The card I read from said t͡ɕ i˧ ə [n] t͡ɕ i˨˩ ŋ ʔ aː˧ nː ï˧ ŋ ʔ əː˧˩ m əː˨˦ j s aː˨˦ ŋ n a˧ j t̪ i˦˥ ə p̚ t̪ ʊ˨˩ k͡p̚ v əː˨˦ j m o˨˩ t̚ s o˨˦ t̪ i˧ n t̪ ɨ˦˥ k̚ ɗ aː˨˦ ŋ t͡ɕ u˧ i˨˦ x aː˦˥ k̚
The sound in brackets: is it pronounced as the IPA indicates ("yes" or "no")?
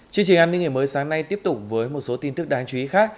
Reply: no